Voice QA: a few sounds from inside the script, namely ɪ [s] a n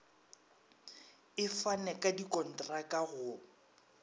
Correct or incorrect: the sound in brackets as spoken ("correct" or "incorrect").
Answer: incorrect